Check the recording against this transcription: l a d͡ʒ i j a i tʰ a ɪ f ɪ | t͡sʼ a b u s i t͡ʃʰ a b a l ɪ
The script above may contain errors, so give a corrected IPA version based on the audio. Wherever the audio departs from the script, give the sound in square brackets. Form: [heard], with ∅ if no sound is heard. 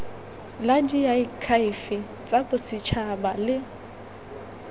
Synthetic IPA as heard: l a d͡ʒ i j a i [kʰ] a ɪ f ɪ | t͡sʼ a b [ʊ] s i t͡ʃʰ a b a l ɪ